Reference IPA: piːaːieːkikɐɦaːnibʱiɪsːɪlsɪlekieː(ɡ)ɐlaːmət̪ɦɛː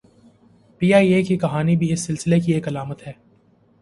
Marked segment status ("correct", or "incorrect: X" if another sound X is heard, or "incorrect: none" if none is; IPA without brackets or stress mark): incorrect: k